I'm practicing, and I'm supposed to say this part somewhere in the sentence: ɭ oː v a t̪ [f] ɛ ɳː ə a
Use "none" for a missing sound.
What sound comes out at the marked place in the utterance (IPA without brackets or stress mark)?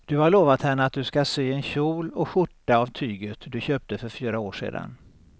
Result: h